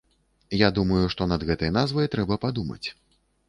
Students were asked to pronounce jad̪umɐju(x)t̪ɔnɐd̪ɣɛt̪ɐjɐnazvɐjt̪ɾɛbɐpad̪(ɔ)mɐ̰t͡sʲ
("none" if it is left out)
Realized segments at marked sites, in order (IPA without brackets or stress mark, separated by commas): ʂ, u